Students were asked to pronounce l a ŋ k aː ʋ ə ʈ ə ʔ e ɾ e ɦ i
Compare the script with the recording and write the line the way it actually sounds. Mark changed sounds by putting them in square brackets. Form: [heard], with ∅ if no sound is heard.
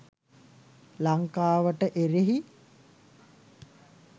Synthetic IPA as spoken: l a ŋ k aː ʋ ə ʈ ə ʔ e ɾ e ɦ i

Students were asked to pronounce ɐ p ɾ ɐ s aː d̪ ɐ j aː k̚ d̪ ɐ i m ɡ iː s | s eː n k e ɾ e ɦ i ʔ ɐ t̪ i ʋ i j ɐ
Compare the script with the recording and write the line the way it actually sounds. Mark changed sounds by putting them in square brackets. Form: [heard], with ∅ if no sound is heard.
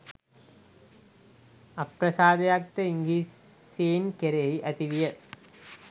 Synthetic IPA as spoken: ɐ p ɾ ɐ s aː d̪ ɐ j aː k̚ [t̪] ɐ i [ŋ] ɡ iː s | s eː n k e ɾ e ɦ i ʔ ɐ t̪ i ʋ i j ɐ

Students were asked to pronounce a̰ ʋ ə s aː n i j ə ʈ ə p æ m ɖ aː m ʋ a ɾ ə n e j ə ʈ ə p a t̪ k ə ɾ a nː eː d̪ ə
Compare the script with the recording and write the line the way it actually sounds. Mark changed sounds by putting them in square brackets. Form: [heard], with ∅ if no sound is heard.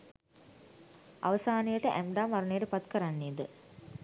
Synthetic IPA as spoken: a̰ ʋ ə s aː n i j ə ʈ ə [ʔ] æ m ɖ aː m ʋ a ɾ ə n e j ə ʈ ə p a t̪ k ə ɾ a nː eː d̪ ə

